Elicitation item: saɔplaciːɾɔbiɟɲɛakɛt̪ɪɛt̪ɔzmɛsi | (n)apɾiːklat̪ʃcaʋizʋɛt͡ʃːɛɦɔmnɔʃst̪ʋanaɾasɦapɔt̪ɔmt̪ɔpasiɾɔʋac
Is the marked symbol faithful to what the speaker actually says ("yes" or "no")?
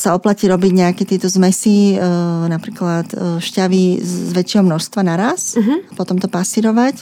yes